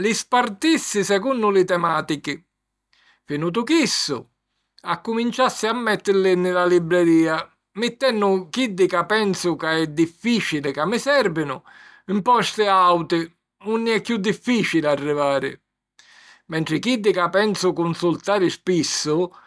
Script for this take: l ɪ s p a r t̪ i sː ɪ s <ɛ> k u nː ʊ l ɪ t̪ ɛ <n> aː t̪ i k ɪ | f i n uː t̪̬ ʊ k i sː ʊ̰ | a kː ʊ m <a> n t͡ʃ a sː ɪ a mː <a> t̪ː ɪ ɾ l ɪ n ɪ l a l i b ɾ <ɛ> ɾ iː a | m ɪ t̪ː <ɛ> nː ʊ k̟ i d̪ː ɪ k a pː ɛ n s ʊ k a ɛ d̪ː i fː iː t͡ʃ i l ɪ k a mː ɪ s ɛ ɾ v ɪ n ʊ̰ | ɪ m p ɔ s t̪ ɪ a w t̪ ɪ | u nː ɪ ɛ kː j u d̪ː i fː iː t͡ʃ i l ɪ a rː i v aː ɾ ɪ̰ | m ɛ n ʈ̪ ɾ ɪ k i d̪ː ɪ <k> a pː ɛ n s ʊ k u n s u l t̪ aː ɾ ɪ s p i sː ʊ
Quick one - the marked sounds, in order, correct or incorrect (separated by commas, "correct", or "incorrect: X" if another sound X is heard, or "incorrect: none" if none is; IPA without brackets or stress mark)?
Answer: correct, incorrect: m, incorrect: i, incorrect: ɛ, correct, correct, correct